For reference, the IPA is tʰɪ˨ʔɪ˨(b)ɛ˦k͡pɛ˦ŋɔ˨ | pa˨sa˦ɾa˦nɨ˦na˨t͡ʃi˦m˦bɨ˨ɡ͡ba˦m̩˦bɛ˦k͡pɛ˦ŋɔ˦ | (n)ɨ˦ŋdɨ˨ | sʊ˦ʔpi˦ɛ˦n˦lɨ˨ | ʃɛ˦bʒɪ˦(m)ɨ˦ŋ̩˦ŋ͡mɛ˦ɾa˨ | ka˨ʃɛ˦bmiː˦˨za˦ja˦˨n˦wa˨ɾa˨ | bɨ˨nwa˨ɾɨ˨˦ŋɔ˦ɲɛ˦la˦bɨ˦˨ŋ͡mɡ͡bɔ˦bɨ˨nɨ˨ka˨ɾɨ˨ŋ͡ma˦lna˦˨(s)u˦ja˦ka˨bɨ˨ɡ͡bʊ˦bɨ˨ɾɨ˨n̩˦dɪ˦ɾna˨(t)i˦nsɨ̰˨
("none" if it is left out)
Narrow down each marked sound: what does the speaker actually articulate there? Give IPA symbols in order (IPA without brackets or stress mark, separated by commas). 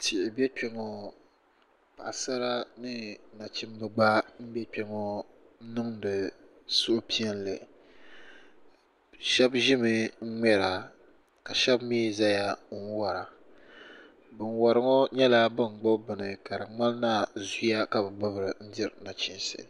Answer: b, n, m, z, t͡ʃ